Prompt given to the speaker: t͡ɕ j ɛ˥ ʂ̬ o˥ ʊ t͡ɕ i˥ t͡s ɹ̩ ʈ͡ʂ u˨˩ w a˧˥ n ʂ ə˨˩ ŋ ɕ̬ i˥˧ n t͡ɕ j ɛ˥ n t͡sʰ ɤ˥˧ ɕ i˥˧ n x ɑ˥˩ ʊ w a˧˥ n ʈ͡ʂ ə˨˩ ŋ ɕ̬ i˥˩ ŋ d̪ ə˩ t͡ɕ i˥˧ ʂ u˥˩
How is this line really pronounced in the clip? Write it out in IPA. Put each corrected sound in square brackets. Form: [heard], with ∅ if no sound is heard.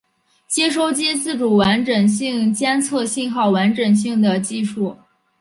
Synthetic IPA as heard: t͡ɕ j ɛ˥ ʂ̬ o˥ ʊ t͡ɕ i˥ t͡s ɹ̩ ʈ͡ʂ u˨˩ w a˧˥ n [ʈ͡ʂ] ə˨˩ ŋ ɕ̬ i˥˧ [ŋ] t͡ɕ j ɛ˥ n t͡sʰ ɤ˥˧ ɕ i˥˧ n x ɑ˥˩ ʊ w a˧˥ n ʈ͡ʂ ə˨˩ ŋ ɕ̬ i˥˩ ŋ d̪ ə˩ t͡ɕ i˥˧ ʂ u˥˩